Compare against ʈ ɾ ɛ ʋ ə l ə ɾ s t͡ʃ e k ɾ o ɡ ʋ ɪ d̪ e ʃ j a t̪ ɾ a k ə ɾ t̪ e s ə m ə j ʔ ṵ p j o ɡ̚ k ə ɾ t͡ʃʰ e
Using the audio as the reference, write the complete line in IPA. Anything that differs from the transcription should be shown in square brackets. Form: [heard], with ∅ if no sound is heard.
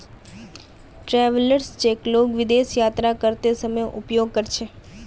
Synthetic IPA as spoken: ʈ ɾ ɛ ʋ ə l ə ɾ s t͡ʃ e k [l] o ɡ ʋ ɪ d̪ e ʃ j a t̪ ɾ a k ə ɾ t̪ e s ə m ə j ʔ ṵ p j o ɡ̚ k ə ɾ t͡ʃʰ e